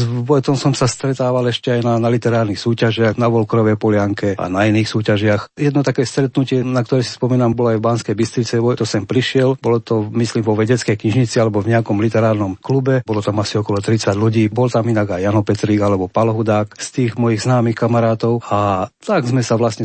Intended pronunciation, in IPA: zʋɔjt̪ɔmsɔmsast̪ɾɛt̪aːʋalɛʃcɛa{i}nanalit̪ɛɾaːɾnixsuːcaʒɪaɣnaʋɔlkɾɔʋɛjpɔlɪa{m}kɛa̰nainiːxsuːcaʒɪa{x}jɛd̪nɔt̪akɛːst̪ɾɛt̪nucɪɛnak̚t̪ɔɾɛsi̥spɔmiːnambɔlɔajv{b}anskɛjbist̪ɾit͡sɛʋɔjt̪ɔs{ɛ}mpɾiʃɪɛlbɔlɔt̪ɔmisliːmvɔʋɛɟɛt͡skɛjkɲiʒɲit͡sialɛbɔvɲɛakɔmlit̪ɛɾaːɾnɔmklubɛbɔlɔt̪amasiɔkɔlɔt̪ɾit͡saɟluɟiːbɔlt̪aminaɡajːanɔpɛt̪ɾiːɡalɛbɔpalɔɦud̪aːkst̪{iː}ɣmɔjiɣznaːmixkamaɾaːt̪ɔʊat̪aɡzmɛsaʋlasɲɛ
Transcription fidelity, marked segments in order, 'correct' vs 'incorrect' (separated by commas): incorrect, incorrect, correct, correct, correct, correct